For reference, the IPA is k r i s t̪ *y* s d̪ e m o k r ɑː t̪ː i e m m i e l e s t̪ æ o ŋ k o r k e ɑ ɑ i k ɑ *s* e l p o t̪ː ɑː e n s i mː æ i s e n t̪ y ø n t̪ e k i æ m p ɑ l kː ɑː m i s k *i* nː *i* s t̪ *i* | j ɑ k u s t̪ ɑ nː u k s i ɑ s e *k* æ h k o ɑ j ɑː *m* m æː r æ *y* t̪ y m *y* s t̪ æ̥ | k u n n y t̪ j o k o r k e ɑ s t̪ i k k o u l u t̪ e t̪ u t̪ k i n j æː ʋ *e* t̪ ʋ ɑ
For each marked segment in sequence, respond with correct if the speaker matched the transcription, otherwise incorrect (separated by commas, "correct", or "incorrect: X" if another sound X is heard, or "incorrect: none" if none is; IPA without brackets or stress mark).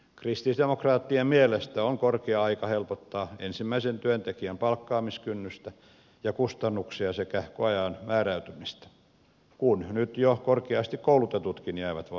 incorrect: i, incorrect: h, incorrect: y, incorrect: y, incorrect: æ, correct, incorrect: n, correct, incorrect: i, incorrect: æ